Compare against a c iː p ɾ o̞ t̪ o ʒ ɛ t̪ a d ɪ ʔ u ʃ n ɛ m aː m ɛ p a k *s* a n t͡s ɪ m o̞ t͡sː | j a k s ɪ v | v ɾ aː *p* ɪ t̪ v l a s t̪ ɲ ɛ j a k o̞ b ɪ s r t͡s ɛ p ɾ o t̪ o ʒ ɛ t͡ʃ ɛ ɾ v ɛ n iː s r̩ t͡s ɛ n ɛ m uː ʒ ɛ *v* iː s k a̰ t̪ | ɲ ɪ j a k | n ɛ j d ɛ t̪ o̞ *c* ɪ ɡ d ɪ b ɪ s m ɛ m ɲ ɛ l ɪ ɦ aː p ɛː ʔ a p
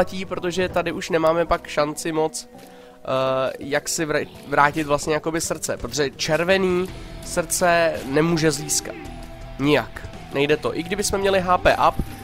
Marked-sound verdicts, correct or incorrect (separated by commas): incorrect, incorrect, incorrect, incorrect